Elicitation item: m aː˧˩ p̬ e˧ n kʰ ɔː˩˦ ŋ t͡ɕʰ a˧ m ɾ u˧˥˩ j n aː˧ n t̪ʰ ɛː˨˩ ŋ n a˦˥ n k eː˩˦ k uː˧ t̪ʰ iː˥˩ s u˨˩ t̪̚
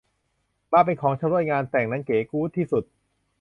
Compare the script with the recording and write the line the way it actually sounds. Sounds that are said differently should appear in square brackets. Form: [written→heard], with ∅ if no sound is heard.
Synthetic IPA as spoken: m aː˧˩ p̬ e˧ n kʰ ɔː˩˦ ŋ t͡ɕʰ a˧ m ɾ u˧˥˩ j [n→ŋ] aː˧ n [t̪ʰ→t̪] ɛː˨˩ ŋ n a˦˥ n k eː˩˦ k [uː˧→uː˦˥] t̪ʰ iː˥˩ s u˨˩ t̪̚